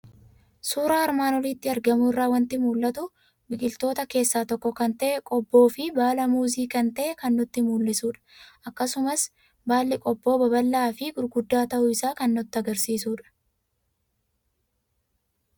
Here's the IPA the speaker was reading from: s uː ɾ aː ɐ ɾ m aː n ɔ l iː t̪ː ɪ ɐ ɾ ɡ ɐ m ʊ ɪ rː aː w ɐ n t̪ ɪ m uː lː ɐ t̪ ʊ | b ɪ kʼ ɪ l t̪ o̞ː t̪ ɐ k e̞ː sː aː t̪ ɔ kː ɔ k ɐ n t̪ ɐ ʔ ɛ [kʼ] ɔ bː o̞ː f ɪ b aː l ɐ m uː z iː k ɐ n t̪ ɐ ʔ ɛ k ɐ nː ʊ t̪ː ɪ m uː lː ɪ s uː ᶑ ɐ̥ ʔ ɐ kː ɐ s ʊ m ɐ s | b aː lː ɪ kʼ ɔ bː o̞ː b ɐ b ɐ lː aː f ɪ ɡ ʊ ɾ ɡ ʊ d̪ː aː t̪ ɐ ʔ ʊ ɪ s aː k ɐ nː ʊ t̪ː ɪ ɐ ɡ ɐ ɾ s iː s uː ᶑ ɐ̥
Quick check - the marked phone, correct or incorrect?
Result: correct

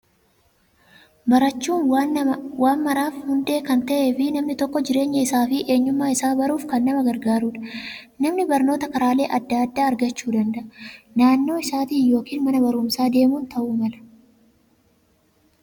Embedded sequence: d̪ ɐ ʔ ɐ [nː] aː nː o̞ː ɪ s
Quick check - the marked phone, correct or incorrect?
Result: incorrect: n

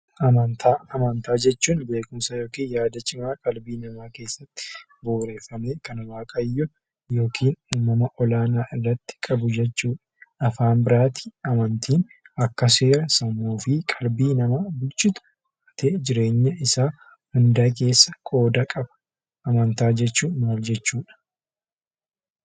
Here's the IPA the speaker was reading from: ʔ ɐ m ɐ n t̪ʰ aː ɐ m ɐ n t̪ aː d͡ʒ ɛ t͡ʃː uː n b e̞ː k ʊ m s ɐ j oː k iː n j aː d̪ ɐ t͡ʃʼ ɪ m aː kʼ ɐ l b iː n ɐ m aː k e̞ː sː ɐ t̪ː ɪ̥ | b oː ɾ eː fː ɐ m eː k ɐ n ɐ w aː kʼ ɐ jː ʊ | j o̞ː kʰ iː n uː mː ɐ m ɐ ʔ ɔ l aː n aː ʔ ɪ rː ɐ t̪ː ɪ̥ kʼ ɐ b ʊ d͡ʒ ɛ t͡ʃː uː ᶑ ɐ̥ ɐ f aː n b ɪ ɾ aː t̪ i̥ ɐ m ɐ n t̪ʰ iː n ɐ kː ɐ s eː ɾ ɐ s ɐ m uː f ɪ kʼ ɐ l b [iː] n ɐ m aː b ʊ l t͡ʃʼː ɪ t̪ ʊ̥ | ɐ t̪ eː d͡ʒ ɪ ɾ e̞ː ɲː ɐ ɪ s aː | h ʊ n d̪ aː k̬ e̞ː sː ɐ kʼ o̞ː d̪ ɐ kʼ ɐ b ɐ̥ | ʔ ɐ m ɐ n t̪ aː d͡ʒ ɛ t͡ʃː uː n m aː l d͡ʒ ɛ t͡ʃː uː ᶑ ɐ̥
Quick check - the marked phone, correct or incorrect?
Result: correct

